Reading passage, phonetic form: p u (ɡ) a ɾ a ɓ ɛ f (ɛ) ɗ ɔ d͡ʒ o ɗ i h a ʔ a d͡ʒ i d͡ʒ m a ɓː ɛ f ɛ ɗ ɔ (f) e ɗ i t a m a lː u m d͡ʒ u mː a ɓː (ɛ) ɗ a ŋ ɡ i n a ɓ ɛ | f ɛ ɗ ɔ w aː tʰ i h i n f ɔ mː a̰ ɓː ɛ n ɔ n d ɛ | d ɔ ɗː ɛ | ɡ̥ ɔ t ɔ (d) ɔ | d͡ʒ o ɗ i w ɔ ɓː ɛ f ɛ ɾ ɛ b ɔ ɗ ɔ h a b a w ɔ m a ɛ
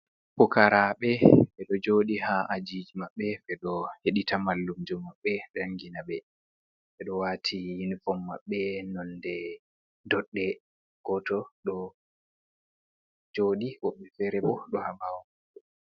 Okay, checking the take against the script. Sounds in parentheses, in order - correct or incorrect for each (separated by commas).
incorrect, correct, incorrect, correct, incorrect